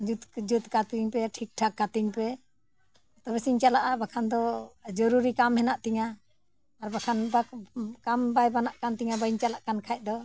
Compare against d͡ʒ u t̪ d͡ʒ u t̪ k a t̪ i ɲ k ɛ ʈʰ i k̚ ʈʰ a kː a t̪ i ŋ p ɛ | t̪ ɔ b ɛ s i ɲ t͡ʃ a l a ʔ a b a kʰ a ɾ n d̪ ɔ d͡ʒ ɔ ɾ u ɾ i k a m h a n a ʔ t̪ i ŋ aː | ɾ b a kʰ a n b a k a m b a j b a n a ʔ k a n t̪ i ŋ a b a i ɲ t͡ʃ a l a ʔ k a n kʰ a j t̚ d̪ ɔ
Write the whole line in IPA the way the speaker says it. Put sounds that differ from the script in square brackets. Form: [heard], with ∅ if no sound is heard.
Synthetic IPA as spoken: d͡ʒ u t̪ d͡ʒ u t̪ k a t̪ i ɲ [p] ɛ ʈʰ i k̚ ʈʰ a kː a t̪ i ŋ p ɛ | t̪ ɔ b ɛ s i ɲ t͡ʃ a l a ʔ a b a kʰ a [∅] n d̪ ɔ d͡ʒ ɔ ɾ u ɾ i k a m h [ɛ] n a ʔ t̪ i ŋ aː | ɾ b a kʰ a n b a k a m b a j b a n a ʔ k a n t̪ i ŋ a b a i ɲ t͡ʃ a l a ʔ k a n kʰ a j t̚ d̪ ɔ